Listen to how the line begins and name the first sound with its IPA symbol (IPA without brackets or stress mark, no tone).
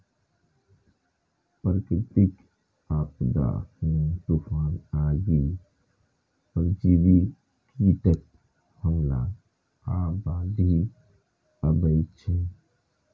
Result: p